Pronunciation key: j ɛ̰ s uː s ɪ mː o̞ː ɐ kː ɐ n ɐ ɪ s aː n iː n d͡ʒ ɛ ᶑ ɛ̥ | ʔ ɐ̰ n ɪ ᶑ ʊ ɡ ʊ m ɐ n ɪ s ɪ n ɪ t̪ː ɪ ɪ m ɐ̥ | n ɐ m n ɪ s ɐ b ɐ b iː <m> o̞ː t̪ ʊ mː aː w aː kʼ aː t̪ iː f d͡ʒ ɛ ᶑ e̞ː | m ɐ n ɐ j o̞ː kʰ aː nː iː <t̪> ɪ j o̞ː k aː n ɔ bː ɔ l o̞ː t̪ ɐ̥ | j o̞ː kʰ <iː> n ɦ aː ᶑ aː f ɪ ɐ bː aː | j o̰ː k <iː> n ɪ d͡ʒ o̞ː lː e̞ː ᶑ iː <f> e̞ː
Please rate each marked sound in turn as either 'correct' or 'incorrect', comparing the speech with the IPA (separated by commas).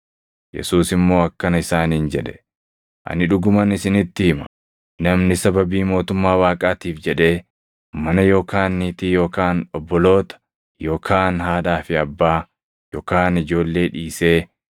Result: correct, correct, incorrect, incorrect, incorrect